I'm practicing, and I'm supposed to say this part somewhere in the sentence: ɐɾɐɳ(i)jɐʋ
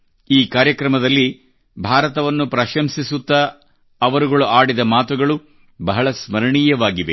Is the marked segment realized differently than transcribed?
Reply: yes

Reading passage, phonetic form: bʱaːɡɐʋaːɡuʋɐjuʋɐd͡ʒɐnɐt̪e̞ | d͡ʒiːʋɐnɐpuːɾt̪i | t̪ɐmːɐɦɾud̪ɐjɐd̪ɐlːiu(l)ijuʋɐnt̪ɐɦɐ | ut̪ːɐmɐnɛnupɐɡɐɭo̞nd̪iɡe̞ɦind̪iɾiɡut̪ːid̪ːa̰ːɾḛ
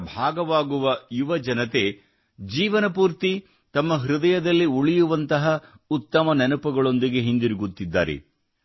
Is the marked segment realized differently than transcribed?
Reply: yes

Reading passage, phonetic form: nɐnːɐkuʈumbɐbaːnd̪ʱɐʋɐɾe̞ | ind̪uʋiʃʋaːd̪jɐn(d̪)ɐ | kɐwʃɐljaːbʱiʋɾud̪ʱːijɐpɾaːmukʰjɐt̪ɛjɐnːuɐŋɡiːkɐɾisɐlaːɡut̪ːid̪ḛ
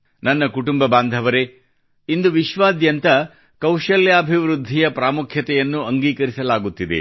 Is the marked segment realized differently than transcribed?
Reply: yes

